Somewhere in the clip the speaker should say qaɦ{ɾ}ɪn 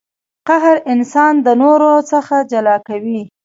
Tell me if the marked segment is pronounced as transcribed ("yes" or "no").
yes